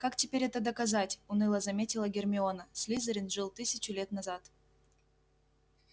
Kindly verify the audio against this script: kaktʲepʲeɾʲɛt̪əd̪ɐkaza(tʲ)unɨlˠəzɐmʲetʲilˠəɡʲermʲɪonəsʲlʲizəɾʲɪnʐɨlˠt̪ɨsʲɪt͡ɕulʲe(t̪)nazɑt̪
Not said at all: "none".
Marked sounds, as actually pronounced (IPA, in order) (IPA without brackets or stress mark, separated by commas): tʲ, t̪